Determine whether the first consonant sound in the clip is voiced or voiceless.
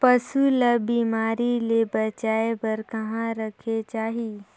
voiceless